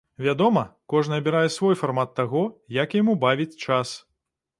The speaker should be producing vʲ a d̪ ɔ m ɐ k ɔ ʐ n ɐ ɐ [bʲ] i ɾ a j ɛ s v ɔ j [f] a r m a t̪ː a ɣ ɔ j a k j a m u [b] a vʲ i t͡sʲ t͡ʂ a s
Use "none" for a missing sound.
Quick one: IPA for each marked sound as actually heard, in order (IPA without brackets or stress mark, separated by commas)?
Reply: bʲ, f, b